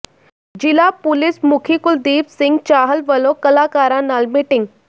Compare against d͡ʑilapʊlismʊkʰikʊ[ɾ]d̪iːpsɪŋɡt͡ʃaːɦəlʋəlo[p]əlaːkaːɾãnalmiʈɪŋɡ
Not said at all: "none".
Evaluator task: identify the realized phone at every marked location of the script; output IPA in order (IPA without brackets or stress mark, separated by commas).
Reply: l, k